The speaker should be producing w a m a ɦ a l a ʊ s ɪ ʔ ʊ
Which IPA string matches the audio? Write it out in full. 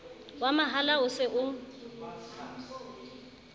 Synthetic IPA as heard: w a m a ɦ a l a ʊ s ɪ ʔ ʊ